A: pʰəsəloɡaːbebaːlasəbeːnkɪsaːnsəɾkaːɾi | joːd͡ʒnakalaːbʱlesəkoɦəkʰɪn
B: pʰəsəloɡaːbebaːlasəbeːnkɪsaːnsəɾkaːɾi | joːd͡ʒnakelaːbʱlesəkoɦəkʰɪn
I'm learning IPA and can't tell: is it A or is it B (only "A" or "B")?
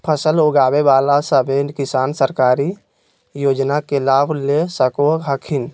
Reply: B